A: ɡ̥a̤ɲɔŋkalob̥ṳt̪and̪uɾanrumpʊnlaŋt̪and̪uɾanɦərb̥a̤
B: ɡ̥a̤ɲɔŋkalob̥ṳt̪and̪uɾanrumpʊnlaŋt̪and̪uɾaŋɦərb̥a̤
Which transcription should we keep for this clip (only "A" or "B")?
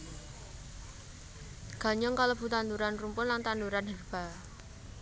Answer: A